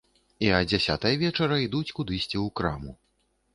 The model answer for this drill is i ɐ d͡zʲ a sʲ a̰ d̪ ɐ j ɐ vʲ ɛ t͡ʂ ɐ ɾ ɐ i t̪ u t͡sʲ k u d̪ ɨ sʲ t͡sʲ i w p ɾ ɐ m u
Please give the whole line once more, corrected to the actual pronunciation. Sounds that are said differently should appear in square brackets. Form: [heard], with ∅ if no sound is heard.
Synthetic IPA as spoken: i ɐ d͡zʲ a sʲ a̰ [t̪] ɐ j ɐ vʲ ɛ t͡ʂ ɐ ɾ ɐ i [d̪] u t͡sʲ k u d̪ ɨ sʲ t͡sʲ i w [k] ɾ [a] m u